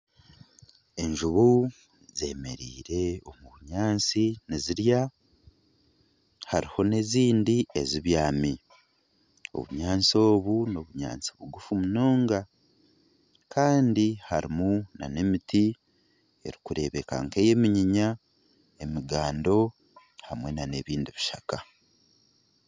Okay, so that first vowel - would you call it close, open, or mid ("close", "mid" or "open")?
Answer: mid